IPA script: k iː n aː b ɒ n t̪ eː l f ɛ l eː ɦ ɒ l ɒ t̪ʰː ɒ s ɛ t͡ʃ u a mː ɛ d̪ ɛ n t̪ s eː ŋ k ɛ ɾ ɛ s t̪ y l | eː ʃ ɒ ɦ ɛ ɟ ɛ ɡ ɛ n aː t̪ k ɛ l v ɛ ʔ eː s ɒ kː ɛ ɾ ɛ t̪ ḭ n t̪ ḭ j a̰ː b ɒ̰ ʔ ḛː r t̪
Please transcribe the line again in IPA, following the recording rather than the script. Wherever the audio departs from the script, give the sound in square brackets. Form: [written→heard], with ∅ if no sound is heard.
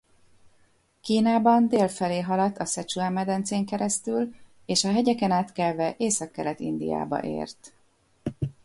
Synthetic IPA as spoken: k iː n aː b ɒ n [t̪→d̪] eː l f ɛ l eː ɦ ɒ l ɒ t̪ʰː ɒ s ɛ t͡ʃ u a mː ɛ d̪ ɛ n t̪ s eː ŋ k ɛ ɾ ɛ s t̪ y l | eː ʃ ɒ ɦ ɛ ɟ ɛ [ɡ→k] ɛ n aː t̪ k ɛ l v ɛ ʔ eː s ɒ kː ɛ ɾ ɛ t̪ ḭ n [t̪→d̪] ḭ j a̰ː b ɒ̰ ʔ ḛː r t̪